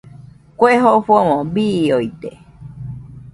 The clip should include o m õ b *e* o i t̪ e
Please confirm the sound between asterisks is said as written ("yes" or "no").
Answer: no